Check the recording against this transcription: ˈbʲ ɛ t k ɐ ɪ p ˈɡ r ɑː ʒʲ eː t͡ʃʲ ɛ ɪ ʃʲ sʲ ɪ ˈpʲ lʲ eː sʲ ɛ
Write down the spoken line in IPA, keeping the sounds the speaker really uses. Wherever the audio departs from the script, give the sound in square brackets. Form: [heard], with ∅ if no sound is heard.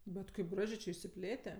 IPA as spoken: ˈbʲ ɛ t k ɐ ɪ p ˈɡ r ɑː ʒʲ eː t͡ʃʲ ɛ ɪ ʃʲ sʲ ɪ ˈpʲ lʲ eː [tʲ] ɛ